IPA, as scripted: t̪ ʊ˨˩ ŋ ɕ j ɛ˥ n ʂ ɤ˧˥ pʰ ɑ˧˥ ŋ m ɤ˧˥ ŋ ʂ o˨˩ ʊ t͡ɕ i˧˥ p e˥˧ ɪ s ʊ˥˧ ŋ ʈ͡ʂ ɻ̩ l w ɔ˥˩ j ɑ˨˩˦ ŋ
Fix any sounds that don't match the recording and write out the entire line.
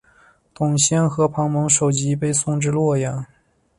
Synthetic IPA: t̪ ʊ˨˩ ŋ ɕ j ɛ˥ n x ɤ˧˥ pʰ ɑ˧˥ ŋ m ɤ˧˥ ŋ ʂ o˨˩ ʊ t͡ɕ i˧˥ p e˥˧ ɪ s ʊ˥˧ ŋ ʈ͡ʂ ɻ̩ l w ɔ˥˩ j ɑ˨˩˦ ŋ